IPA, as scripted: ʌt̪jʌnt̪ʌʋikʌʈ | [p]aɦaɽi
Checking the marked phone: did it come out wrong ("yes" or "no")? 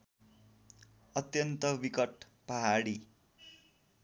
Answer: no